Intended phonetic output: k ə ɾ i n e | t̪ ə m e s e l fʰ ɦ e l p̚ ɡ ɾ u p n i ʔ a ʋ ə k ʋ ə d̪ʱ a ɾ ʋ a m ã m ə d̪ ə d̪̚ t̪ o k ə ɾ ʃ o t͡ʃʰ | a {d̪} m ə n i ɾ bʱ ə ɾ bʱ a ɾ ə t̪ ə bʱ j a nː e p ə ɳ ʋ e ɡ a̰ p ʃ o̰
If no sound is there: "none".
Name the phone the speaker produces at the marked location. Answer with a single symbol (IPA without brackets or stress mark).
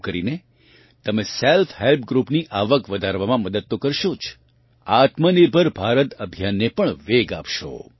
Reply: t̪